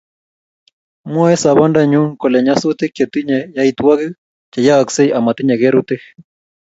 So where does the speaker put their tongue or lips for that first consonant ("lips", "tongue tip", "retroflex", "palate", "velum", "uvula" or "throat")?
lips